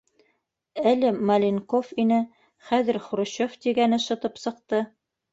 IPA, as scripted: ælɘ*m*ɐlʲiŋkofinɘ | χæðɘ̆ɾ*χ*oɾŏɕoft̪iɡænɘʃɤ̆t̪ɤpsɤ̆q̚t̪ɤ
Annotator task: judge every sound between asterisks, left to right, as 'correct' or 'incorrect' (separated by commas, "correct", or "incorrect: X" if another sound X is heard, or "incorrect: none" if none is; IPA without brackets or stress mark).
correct, correct